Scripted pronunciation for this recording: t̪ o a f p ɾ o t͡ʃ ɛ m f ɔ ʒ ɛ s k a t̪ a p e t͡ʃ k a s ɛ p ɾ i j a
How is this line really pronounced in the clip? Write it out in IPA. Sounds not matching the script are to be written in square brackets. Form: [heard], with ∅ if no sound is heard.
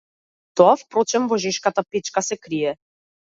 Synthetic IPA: t̪ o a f p ɾ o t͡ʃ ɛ m [v] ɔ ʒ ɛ [ʃ] k a t̪ a p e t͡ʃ k a s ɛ [k] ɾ i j [ɛ]